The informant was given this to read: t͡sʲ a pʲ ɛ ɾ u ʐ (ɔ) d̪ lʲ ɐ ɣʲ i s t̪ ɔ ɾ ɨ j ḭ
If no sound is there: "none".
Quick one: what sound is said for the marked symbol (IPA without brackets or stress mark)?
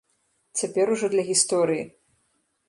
ɔ